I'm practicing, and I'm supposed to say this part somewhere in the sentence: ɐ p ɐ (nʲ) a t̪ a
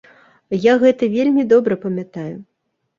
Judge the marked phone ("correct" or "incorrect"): incorrect